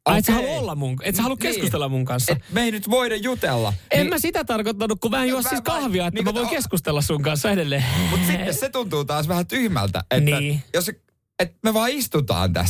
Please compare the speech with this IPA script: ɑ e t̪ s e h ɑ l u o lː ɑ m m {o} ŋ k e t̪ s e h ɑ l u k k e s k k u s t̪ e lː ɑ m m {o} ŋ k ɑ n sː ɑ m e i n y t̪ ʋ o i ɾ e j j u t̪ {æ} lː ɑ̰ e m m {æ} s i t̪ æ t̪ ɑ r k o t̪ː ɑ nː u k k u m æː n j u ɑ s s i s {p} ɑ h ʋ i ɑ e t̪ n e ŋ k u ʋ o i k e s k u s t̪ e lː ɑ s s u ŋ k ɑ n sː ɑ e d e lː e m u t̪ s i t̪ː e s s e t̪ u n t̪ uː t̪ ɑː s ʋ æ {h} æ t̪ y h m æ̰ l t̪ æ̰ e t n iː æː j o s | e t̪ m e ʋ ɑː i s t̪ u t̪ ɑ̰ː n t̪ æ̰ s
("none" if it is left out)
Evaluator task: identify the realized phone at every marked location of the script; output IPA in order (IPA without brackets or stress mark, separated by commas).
u, u, e, æ, k, h